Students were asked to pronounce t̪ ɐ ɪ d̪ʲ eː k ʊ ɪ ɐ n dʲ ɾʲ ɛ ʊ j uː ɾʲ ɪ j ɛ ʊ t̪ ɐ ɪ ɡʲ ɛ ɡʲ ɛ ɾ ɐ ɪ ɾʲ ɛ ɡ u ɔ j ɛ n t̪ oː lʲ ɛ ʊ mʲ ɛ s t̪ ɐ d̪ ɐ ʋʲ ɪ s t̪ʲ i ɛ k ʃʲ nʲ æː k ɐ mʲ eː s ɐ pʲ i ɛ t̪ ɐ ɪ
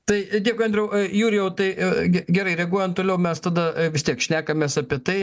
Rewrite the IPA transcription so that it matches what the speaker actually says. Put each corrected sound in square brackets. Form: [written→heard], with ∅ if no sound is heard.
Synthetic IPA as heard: t̪ ɐ ɪ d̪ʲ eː k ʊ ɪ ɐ n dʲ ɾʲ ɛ ʊ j uː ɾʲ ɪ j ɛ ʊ t̪ ɐ ɪ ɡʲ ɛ ɡʲ ɛ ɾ ɐ ɪ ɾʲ ɛ ɡ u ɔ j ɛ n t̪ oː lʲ ɛ ʊ mʲ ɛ s t̪ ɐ d̪ ɐ ʋʲ ɪ s t̪ʲ i ɛ k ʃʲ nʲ æː k ɐ mʲ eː s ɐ pʲ i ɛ t̪ ɐ ɪ